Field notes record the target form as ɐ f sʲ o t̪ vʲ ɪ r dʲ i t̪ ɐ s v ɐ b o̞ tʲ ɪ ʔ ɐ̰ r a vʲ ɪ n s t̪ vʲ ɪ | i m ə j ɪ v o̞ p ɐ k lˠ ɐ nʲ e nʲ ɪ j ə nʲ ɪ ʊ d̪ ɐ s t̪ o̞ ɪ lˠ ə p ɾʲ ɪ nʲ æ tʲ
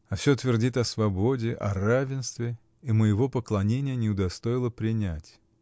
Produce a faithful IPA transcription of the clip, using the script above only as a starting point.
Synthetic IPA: ɐ f sʲ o t̪ vʲ ɪ r dʲ i t̪ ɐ s v ɐ b o̞ dʲ ɪ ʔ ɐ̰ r a vʲ ɪ n s t̪ vʲ ɪ | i m ə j ɪ v o̞ p ə k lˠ ɐ nʲ e nʲ ɪ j ə nʲ ɪ ʊ d̪ ɐ s t̪ o̞ ɪ lˠ ə p ɾʲ ɪ nʲ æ tʲ